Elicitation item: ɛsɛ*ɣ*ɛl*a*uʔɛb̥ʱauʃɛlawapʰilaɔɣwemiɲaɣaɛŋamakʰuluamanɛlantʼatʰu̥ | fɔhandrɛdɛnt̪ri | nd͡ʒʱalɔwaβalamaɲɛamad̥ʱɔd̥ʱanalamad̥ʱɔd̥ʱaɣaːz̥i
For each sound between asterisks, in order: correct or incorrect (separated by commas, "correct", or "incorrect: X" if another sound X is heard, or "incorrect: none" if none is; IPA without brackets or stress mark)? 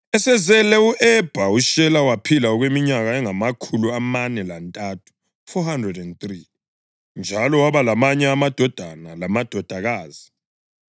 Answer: incorrect: z, incorrect: ɛ